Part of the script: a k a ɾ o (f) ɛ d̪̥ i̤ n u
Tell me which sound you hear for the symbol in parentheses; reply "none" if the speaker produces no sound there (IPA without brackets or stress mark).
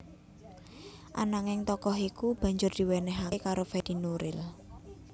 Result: f